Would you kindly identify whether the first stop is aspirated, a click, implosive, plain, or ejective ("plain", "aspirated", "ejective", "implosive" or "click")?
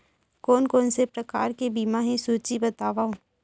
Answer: plain